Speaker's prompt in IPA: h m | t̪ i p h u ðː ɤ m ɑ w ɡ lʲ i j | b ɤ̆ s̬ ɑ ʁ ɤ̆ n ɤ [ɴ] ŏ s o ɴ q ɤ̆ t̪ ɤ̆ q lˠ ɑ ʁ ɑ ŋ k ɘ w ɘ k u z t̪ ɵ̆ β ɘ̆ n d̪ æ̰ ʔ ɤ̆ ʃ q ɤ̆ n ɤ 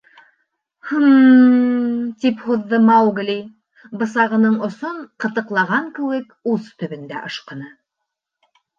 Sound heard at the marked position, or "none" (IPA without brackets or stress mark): ɴ